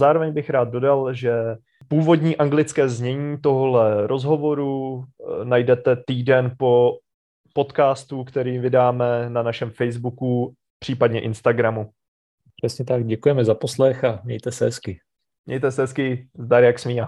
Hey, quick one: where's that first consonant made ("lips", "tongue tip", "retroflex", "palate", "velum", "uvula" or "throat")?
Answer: tongue tip